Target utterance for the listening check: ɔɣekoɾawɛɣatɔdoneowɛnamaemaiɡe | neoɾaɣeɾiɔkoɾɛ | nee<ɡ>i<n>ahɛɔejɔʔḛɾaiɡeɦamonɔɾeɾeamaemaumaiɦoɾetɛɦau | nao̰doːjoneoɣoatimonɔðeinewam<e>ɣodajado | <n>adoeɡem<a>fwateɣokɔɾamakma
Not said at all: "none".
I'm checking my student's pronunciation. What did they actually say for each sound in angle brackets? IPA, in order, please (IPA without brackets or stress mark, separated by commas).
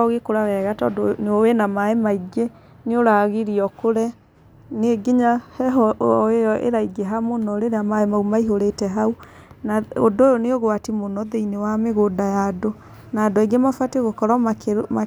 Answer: ɡ, ɲ, e, n, a